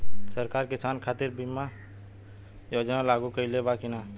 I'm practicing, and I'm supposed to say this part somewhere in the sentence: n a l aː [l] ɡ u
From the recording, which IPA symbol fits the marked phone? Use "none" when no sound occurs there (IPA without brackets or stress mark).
none